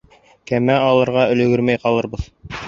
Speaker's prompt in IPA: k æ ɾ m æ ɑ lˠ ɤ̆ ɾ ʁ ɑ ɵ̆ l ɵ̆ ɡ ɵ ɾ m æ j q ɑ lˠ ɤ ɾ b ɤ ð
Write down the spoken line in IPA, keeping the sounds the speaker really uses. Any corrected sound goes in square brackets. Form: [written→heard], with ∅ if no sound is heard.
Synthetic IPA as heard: k æ [ɾ→∅] m æ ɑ lˠ ɤ̆ ɾ ʁ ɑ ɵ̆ l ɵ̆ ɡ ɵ ɾ m æ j q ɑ lˠ ɤ ɾ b ɤ ð